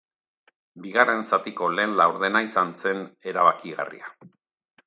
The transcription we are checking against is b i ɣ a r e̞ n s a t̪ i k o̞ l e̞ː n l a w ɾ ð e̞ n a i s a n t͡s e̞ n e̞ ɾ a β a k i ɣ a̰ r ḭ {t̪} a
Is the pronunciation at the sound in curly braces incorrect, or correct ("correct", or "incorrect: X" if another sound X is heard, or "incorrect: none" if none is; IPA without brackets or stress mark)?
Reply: incorrect: none